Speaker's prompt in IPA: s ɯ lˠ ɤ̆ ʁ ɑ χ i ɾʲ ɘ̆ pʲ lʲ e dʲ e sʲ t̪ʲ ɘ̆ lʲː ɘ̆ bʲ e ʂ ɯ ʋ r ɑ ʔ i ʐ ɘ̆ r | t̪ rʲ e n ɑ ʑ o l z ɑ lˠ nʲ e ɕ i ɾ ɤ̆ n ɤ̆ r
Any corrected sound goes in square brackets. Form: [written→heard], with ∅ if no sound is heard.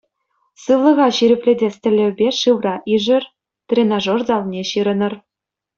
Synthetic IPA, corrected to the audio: s ɯ lˠ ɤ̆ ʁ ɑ [χ→ɕ] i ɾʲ ɘ̆ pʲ lʲ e dʲ e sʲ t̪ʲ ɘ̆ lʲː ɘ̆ bʲ e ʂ ɯ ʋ r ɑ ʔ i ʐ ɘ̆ r | t̪ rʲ e n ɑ [ʑ→ʐ] o [l→r] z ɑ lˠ nʲ e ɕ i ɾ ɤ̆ n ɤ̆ r